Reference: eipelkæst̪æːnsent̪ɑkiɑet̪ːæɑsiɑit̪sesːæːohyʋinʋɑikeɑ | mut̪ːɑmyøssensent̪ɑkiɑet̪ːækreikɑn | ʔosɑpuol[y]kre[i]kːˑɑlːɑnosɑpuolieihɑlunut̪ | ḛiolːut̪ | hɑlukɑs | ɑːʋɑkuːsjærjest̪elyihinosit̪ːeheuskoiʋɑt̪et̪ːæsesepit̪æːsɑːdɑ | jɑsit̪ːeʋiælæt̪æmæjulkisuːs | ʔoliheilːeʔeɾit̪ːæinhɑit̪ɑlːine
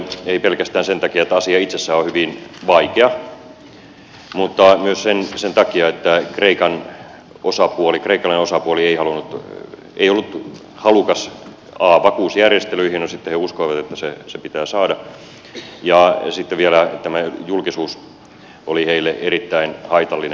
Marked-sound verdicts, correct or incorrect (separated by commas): incorrect, correct